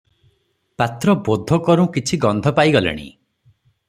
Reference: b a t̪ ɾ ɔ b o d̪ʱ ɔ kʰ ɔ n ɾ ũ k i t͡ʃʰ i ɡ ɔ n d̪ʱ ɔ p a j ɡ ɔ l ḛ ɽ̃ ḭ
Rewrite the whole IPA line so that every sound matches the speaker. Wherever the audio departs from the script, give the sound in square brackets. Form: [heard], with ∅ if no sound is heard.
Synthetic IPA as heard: [p] a t̪ ɾ ɔ b o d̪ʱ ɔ [k] ɔ [∅] ɾ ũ k i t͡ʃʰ i ɡ ɔ n d̪ʱ ɔ p a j ɡ ɔ l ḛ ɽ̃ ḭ